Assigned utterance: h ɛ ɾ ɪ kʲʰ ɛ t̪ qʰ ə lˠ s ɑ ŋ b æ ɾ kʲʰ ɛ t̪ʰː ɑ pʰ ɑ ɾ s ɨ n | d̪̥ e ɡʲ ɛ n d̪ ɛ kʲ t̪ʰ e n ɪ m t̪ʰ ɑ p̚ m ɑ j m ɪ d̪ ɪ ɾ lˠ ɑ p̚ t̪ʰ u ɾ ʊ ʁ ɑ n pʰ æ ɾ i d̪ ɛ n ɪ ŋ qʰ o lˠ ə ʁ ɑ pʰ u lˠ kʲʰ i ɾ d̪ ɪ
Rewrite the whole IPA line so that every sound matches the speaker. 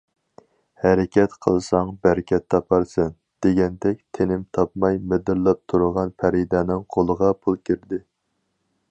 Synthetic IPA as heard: h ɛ ɾ ɪ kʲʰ ɛ t̪ qʰ ə lˠ s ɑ ŋ b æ ɾ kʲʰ ɛ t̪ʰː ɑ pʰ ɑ ɾ s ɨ n | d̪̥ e ɡʲ ɛ n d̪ ɛ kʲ t̪ʰ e n ɪ m t̪ʰ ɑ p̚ m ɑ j m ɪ d̪ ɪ ɾ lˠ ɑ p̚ t̪ʰ u ɾ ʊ ʁ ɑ n pʰ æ ɾ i d̪ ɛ n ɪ ŋ qʰ o lˠ ə ʁ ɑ pʰ u lˠ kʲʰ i ɾ d̪ ɪ